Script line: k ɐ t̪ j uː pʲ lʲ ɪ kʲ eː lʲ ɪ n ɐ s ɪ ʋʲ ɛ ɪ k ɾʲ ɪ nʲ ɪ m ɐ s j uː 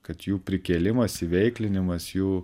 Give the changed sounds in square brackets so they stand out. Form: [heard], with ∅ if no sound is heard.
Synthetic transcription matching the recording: k ɐ t̪ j uː pʲ [ɾʲ] ɪ kʲ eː lʲ ɪ [m] ɐ s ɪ ʋʲ ɛ ɪ k [lʲ] ɪ nʲ ɪ m ɐ s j uː